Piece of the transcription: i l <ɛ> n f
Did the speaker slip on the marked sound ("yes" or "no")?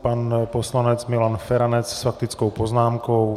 yes